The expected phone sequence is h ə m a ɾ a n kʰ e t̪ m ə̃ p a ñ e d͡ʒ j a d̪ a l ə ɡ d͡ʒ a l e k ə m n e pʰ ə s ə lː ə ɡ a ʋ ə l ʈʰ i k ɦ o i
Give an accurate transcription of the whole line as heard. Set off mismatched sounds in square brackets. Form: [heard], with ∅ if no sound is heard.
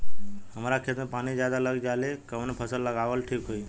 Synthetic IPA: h ə m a ɾ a [∅] kʰ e t̪ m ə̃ p a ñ [i] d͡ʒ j a d̪ a l ə ɡ d͡ʒ a l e k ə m n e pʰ ə s ə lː ə ɡ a ʋ ə l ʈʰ i k ɦ o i